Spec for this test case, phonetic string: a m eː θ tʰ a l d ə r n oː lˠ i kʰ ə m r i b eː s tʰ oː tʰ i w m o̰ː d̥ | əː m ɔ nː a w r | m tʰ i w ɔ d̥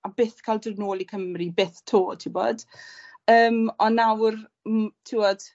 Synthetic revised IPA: a b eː θ kʰ a l d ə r n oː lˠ i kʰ ə m r i b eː θ tʰ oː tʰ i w b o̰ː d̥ | əː m ɔ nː a w r | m tʰ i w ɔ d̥